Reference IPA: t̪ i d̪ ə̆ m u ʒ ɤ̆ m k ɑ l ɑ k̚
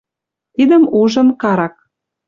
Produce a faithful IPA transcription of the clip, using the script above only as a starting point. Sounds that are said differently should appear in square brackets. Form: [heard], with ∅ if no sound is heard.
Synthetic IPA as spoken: t̪ i d̪ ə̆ m u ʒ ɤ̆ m k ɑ [ɾ] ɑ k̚

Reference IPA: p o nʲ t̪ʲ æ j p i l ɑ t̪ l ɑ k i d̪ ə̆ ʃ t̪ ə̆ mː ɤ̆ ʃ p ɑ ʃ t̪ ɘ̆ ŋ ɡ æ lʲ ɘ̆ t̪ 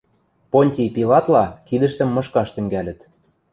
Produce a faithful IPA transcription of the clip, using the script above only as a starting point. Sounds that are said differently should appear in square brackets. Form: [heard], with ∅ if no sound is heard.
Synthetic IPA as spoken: p o nʲ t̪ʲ [i] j p i l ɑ t̪ l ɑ k i d̪ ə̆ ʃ t̪ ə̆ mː ɤ̆ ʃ [k] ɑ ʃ t̪ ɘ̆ ŋ ɡ æ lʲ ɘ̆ t̪

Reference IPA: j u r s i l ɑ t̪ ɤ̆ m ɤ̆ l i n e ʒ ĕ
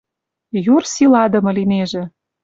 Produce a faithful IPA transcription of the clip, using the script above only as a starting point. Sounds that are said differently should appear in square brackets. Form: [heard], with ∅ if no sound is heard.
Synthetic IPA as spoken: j u r s i l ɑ [d̪] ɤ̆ m ɤ̆ l i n e ʒ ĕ

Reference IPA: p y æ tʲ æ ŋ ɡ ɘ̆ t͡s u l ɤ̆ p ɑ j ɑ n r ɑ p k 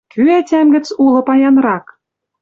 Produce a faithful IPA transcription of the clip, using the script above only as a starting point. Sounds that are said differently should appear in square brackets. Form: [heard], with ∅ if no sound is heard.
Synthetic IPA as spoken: [k] y æ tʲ æ [m] ɡ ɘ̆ t͡s u l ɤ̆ p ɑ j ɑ n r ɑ [∅] k

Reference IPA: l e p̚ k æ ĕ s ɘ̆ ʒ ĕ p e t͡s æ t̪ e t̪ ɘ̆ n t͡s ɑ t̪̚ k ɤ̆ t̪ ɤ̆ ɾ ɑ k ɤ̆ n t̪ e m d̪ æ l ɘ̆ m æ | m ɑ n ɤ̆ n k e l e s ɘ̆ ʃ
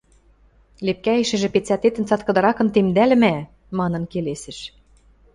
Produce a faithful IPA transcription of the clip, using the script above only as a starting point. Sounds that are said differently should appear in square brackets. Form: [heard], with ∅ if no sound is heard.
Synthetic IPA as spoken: l e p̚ k æ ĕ [ʃ] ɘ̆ ʒ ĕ p e t͡s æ t̪ e t̪ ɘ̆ n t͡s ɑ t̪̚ k ɤ̆ [d̪] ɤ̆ ɾ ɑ k ɤ̆ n t̪ e m d̪ æ l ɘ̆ m æ | m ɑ n ɤ̆ n k e l e s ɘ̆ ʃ

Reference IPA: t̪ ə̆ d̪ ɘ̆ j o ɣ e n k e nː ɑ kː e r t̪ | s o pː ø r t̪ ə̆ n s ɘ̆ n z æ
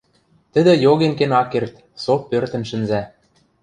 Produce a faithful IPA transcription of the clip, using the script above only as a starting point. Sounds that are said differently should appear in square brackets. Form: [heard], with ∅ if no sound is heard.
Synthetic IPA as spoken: t̪ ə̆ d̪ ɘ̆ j o ɣ e n k e [n] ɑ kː e r t̪ | s o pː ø r t̪ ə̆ n [ʃ] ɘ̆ n z æ

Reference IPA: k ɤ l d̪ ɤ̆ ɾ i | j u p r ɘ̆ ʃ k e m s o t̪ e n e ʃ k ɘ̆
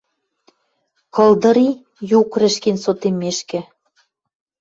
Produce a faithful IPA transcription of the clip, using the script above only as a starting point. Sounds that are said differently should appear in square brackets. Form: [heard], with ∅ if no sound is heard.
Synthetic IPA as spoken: k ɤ l d̪ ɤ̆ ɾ i | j u [k] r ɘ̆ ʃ k e [n] s o t̪ e [m] e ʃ k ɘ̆

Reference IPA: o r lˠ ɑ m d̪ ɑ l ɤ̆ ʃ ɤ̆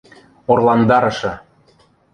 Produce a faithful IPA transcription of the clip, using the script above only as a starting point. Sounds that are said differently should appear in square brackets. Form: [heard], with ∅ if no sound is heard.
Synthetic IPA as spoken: o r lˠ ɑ [n] d̪ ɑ [ɾ] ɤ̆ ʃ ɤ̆

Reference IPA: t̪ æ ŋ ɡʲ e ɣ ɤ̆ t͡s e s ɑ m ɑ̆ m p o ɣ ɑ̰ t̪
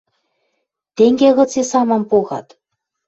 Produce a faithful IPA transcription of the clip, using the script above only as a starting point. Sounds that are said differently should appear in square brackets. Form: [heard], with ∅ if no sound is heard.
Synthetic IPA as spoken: t̪ [e] ŋ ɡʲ e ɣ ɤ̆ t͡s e s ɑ m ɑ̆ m p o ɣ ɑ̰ t̪

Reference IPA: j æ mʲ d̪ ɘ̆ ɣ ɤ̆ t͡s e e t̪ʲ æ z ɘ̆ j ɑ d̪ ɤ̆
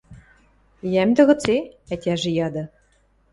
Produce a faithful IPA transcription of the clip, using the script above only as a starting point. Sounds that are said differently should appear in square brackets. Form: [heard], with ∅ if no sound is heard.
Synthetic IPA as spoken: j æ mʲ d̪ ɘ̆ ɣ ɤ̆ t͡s e [æ] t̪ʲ æ [ʒ] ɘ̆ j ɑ d̪ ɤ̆

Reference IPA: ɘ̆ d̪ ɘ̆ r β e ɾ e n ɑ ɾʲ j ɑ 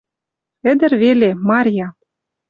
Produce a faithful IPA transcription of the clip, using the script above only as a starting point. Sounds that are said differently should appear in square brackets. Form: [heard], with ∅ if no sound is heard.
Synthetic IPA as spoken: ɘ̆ d̪ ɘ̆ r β e [l] e [m] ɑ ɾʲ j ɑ

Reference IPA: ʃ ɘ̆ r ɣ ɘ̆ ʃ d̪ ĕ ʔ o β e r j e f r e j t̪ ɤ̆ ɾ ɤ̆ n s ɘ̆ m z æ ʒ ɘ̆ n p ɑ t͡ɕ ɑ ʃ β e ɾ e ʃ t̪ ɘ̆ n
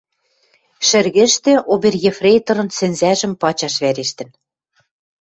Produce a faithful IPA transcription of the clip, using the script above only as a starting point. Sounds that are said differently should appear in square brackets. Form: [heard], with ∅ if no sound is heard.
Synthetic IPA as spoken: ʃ ɘ̆ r ɣ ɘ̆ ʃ [t̪] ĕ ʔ o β e r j e f r e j t̪ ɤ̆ ɾ ɤ̆ n s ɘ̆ [n] z æ ʒ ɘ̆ [m] p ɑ t͡ɕ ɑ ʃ β [æ] ɾ e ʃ t̪ ɘ̆ n

